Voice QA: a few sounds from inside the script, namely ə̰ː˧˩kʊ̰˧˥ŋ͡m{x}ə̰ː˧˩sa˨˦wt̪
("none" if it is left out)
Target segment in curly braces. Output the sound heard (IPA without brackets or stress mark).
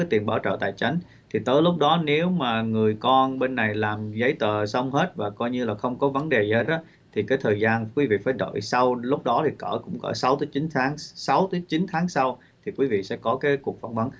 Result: k